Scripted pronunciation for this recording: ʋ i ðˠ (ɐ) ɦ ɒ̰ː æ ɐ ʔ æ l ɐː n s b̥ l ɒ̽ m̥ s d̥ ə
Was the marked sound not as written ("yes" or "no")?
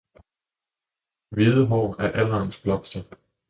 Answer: yes